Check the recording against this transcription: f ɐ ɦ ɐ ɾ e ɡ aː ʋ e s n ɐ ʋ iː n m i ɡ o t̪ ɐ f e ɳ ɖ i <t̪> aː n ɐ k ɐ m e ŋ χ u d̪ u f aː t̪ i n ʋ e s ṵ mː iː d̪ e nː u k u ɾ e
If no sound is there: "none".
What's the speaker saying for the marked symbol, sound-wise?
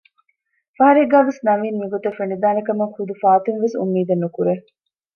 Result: d̪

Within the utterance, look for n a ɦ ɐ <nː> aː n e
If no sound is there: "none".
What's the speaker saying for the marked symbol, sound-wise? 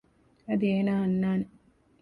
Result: nː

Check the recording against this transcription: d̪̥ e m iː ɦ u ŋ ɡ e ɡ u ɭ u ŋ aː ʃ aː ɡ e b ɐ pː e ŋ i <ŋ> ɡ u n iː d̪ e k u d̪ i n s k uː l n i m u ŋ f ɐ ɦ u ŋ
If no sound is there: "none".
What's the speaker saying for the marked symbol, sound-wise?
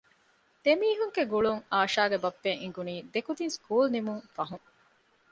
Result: ŋ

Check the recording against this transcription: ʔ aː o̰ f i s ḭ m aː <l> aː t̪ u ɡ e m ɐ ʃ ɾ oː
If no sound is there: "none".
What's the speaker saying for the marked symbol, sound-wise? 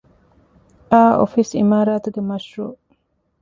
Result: ɾ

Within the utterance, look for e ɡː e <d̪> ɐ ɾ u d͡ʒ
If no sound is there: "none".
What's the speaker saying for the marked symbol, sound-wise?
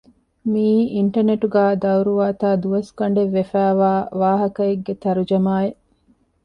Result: t̪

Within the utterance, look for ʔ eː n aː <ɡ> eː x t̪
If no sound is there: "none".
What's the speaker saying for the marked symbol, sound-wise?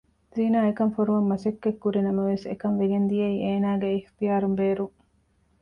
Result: ɡ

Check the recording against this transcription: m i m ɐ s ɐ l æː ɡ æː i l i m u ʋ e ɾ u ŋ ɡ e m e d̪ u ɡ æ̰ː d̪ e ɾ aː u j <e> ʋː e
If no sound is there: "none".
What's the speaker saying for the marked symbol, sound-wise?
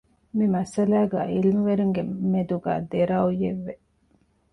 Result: e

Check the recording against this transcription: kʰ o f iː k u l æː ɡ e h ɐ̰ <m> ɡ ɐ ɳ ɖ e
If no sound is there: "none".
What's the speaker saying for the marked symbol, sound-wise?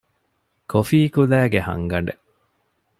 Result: ŋ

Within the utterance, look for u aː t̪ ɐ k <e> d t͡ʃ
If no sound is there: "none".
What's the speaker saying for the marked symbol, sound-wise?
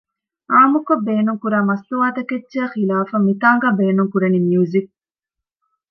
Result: e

